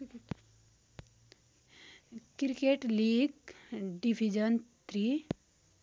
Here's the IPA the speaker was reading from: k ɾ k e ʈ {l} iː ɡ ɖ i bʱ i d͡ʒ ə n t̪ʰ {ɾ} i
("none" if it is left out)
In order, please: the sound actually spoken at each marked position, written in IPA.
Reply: l, ɾ

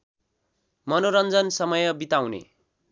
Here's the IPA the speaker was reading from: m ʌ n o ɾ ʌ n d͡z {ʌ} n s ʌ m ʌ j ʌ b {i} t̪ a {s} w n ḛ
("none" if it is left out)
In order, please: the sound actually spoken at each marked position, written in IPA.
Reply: ʌ, i, none

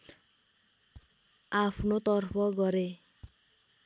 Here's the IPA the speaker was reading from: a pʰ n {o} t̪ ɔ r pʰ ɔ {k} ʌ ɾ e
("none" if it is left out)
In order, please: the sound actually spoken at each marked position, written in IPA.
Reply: o, ɡ

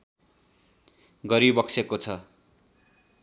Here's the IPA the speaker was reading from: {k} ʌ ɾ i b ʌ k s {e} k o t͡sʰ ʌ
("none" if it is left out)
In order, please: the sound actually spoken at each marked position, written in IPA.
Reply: ɡ, e

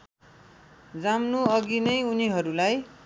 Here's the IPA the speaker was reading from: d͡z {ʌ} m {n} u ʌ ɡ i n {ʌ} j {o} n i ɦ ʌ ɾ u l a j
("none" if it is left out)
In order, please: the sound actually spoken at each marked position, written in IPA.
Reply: a, n, ʌ, u

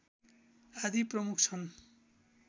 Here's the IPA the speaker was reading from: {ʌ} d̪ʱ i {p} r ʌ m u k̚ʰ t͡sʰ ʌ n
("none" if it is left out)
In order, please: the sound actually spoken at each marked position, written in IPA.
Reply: a, p

